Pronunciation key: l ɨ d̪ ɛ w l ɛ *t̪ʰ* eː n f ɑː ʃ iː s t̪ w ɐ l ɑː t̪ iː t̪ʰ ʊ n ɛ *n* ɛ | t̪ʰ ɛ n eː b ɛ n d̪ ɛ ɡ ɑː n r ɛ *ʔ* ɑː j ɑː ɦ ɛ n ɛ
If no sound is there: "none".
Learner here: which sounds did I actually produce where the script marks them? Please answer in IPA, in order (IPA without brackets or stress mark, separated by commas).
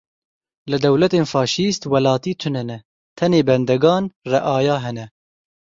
t̪, n, ʔ